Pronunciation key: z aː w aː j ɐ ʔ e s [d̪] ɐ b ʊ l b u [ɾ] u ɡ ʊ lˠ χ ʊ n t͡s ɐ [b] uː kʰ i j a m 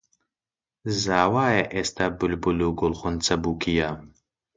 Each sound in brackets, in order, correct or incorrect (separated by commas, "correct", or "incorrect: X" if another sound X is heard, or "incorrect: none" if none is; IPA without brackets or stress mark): incorrect: t̪, incorrect: l, correct